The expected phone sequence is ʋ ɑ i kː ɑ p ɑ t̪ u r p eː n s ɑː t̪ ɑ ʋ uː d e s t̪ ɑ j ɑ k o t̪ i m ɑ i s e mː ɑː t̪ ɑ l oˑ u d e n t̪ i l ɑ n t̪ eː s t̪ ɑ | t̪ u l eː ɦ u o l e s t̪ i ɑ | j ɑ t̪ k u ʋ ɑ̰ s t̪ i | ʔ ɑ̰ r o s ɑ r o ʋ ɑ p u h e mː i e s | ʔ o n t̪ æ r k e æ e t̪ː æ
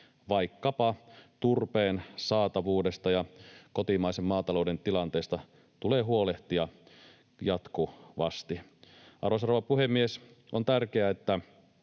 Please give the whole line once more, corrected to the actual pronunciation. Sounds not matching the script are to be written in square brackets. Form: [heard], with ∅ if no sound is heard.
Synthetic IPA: ʋ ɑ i kː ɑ p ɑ t̪ u r p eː n s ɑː t̪ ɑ ʋ uː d e s t̪ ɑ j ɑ k o t̪ i m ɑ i s e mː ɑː t̪ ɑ l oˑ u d e n t̪ i l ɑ n t̪ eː s t̪ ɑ | t̪ u l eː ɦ u o l e [h] t̪ i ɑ | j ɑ t̪ k u ʋ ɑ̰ s t̪ i | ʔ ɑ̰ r o s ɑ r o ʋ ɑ p u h e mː i e s | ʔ o n t̪ æ r k e æ e t̪ː æ